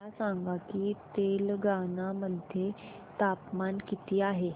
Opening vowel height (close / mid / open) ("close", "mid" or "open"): open